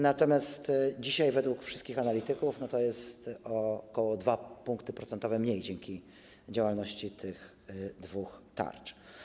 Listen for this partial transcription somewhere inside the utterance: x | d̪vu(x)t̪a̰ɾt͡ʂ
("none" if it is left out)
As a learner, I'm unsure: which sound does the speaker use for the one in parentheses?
x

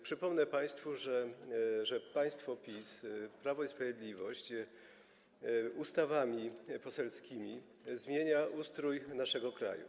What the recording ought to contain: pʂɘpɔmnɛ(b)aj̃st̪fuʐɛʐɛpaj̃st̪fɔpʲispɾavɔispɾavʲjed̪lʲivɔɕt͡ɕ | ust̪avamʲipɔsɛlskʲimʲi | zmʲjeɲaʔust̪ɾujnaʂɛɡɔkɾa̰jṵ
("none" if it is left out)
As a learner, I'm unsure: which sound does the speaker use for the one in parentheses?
p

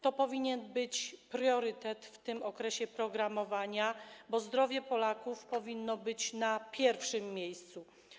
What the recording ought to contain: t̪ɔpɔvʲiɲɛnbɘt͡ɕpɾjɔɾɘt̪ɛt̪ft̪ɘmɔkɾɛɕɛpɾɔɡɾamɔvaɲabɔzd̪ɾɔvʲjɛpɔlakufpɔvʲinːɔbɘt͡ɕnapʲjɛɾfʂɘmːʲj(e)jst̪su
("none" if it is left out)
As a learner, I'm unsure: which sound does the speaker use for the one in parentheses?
e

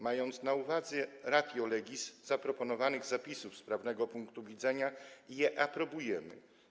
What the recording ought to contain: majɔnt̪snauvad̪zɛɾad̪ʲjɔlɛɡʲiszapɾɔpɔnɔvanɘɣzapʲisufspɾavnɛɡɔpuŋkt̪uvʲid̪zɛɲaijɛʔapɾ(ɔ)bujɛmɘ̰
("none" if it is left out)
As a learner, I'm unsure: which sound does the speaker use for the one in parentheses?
ɔ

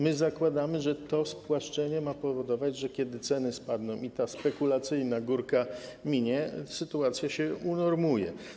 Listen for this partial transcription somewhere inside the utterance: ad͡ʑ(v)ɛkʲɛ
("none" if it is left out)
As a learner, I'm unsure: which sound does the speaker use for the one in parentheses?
ʐ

